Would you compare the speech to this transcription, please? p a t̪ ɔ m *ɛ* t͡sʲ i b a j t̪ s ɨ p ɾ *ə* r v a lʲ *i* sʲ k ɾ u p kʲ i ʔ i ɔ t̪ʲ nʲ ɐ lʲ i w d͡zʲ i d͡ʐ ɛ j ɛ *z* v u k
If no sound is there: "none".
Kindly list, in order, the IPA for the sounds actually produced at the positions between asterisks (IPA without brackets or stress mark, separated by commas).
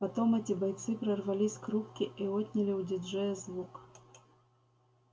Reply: ɛ, ɐ, i, z